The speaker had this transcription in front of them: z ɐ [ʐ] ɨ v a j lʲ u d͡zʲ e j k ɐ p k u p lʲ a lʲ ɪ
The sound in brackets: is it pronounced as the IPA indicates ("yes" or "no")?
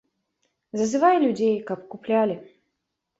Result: no